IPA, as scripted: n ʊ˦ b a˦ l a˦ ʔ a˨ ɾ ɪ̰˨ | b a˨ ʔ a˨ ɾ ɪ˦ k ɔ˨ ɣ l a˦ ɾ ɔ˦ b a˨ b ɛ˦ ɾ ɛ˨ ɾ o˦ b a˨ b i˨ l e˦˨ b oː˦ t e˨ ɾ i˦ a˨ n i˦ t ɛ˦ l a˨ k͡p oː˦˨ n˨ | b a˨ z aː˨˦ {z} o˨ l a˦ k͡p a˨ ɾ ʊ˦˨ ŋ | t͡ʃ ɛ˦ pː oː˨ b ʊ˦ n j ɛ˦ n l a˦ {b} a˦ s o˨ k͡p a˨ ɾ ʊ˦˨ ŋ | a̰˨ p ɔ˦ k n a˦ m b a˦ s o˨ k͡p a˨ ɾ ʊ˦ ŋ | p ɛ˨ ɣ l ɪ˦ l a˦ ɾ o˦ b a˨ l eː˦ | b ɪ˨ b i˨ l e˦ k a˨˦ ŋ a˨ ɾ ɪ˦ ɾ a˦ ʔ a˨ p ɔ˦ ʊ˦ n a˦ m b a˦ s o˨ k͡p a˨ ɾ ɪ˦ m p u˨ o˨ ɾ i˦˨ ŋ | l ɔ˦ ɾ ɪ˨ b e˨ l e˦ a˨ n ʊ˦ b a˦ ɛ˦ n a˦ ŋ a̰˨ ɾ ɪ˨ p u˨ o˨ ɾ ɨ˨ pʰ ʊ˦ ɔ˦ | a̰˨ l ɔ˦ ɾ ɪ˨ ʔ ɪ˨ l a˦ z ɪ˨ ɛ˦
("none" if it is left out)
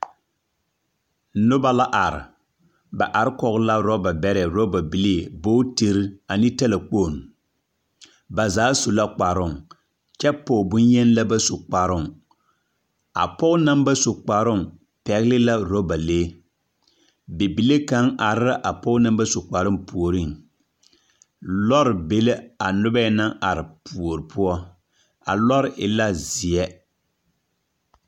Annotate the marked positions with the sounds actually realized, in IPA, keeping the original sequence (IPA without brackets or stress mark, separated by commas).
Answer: s, b